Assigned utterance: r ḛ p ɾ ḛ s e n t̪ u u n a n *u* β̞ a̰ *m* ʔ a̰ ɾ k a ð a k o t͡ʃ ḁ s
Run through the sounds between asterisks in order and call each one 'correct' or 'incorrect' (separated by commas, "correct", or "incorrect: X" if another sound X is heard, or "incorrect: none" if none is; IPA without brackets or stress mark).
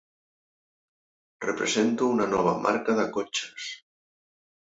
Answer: incorrect: ɔ, correct